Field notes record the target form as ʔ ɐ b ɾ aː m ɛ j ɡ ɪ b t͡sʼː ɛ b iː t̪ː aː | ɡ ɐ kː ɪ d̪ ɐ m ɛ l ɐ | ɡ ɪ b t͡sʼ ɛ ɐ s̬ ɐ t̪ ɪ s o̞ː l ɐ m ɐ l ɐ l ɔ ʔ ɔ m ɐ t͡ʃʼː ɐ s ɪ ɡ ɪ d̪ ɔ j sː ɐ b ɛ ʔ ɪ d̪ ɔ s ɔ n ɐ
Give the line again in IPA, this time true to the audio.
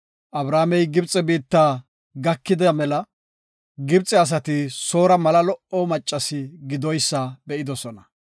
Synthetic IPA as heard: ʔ ɐ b ɾ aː m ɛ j ɡ ɪ b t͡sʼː ɛ b iː t̪ː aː | ɡ ɐ kː ɪ d̪ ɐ m ɛ l ɐ | ɡ ɪ b t͡sʼ ɛ ɐ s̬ ɐ t̪ ɪ s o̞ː ɾ ɐ m ɐ l ɐ l ɔ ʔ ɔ m ɐ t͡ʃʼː ɐ s ɪ ɡ ɪ d̪ ɔ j sː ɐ b ɛ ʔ ɪ d̪ ɔ s ɔ n ɐ